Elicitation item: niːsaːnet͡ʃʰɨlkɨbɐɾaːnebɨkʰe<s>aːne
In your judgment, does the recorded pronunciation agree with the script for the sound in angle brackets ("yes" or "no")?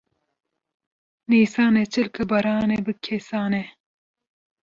yes